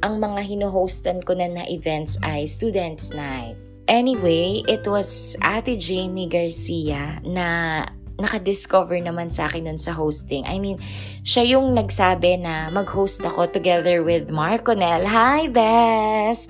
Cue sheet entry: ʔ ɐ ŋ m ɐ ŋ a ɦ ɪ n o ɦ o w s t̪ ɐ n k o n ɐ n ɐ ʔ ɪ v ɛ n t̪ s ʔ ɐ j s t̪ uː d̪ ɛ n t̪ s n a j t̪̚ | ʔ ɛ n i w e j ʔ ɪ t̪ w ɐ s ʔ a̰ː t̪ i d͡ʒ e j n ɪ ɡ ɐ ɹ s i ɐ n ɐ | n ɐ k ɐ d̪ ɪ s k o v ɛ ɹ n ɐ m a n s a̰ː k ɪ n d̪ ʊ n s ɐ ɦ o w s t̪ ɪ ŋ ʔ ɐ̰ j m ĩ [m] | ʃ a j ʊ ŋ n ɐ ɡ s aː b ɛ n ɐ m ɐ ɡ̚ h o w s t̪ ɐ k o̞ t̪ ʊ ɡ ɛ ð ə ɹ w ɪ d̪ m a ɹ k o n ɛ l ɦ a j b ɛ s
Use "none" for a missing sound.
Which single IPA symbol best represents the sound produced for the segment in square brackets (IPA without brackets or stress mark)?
n